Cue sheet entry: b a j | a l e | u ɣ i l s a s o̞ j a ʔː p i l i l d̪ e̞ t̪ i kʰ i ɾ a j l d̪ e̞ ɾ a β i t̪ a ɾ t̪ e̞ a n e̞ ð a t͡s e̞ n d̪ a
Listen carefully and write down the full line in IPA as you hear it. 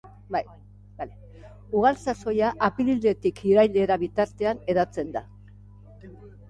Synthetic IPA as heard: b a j | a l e | u ɣ a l s a s o̞ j a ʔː p i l i l d̪ e̞ t̪ i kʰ i ɾ a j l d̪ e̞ ɾ a β i t̪ a ɾ t̪ e̞ a n e̞ ð a t͡s e̞ n d̪ a